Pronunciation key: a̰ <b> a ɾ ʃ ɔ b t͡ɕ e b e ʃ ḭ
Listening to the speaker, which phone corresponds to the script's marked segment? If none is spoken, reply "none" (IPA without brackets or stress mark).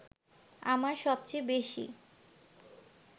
m